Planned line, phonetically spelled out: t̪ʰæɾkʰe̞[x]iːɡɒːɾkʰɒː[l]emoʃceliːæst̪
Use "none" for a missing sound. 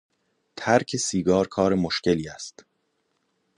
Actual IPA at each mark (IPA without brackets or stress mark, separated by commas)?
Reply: s, ɾ